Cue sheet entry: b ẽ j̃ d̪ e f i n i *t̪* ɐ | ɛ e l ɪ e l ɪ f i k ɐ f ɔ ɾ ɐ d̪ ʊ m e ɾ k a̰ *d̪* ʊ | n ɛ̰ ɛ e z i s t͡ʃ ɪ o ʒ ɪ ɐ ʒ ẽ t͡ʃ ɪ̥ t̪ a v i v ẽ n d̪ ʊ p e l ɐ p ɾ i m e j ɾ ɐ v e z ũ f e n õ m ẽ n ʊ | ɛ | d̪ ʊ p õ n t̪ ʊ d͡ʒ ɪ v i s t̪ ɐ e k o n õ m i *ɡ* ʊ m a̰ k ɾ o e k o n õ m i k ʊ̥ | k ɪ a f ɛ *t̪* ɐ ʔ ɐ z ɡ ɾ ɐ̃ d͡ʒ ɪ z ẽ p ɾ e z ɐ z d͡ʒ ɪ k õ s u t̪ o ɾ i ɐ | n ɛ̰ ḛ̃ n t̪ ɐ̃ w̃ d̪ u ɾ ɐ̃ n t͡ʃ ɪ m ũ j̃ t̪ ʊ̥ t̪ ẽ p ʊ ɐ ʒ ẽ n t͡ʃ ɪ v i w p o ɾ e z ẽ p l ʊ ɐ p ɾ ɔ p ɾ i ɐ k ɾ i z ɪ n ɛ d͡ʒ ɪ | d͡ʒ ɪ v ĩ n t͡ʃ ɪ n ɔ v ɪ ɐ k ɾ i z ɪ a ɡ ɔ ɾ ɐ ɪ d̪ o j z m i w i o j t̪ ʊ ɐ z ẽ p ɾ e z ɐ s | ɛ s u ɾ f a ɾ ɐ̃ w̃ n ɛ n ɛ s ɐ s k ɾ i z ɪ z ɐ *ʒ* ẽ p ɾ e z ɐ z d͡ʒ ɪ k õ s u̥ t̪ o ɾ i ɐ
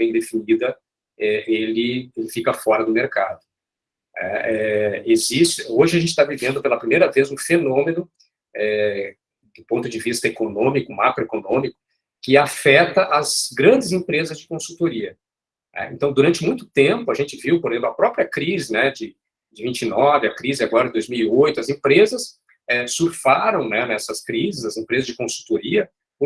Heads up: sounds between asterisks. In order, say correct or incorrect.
incorrect, correct, incorrect, correct, incorrect

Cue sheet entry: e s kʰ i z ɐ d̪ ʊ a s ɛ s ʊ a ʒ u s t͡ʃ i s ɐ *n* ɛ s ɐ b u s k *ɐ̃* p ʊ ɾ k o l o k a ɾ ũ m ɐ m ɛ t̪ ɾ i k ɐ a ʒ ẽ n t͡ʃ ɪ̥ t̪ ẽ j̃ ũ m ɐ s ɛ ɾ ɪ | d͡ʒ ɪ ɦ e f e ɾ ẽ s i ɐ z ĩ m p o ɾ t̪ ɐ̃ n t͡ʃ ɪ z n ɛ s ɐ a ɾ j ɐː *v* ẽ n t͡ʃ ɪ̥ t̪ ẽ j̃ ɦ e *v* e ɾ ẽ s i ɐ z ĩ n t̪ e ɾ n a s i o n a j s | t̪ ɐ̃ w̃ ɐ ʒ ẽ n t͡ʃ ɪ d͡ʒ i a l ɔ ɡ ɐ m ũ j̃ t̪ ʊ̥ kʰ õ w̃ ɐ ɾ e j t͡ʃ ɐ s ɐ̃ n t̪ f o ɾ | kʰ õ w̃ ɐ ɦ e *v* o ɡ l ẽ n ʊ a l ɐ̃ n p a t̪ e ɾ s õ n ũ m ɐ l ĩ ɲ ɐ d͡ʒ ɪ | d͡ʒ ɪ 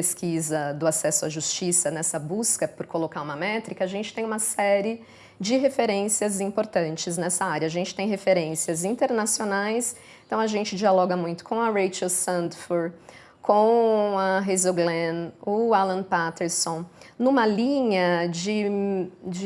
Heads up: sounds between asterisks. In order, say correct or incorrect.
correct, incorrect, incorrect, incorrect, incorrect

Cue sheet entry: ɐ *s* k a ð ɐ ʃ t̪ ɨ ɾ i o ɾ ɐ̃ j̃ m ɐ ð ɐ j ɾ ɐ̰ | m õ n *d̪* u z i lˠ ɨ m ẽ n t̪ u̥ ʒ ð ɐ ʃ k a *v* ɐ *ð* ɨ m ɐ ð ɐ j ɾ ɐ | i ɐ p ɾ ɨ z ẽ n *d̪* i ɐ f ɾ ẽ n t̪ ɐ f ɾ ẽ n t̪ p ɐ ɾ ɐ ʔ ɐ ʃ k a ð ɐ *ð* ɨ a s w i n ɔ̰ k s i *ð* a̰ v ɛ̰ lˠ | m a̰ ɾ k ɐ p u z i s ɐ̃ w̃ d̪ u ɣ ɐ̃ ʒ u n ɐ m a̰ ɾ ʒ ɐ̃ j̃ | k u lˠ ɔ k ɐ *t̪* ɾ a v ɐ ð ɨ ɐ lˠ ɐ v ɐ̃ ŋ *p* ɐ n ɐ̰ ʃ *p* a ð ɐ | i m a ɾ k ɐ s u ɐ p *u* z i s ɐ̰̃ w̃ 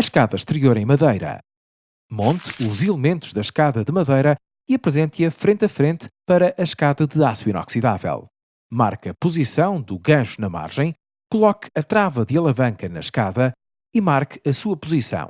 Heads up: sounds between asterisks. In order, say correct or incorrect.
incorrect, incorrect, incorrect, correct, incorrect, correct, correct, correct, incorrect, incorrect, correct

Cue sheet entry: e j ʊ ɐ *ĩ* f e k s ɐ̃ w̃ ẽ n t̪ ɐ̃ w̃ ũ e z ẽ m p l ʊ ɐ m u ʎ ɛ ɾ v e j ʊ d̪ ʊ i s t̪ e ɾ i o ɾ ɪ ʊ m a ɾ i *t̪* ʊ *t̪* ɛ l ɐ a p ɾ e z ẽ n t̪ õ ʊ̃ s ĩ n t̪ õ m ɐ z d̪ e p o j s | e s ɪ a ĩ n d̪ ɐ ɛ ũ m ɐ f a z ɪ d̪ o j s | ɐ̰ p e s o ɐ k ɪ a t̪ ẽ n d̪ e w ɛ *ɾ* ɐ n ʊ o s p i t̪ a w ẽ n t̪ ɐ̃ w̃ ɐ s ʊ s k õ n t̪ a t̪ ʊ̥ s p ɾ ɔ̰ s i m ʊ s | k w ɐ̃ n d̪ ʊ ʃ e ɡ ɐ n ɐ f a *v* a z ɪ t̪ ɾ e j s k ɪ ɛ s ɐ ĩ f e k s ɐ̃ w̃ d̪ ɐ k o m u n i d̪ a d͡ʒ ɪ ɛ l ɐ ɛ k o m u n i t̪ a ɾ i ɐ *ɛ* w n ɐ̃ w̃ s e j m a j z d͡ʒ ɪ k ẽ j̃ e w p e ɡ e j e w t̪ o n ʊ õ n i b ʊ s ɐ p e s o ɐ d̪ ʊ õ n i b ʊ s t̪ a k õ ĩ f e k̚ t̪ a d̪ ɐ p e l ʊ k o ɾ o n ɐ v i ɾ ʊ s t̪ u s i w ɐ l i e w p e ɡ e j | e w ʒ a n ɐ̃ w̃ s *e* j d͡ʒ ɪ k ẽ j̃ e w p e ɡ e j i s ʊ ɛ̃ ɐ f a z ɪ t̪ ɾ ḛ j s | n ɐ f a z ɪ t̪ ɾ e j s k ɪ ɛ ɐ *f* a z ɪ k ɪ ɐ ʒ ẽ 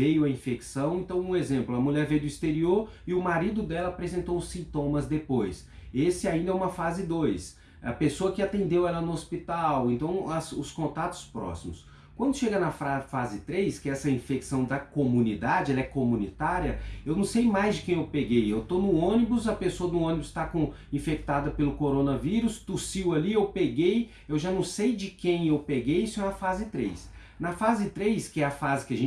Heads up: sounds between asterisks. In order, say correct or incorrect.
correct, incorrect, incorrect, incorrect, incorrect, incorrect, correct, correct

